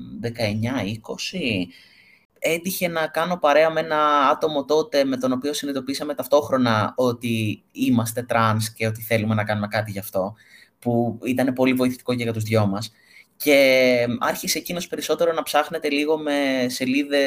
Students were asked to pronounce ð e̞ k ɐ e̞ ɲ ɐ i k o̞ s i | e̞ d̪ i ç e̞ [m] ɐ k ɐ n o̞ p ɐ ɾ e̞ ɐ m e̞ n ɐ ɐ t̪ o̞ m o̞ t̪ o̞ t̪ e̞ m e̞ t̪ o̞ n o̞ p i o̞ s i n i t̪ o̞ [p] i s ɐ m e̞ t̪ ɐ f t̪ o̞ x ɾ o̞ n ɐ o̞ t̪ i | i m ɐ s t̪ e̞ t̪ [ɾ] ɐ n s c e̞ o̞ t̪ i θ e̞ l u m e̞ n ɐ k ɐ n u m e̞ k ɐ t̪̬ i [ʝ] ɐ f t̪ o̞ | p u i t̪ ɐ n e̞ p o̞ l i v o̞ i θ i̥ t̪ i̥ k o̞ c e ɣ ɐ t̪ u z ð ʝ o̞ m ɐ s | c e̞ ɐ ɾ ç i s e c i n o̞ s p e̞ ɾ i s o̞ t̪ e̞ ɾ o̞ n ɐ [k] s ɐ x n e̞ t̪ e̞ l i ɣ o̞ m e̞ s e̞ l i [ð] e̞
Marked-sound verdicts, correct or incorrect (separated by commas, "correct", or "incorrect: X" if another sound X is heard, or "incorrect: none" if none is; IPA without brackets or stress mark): incorrect: n, correct, correct, correct, incorrect: p, correct